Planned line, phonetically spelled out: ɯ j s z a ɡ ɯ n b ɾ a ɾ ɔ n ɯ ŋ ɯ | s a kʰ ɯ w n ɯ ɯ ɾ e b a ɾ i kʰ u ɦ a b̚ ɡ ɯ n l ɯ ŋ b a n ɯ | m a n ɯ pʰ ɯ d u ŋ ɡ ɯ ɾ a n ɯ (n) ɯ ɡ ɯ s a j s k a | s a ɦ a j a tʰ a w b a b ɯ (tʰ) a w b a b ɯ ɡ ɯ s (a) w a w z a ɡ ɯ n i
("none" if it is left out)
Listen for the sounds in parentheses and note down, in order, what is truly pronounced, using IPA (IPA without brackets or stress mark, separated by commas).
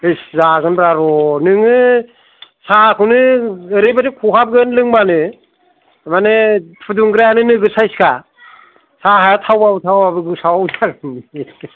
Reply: n, tʰ, a